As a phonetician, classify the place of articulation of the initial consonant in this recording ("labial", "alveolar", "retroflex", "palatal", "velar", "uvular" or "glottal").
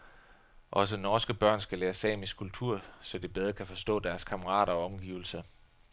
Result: glottal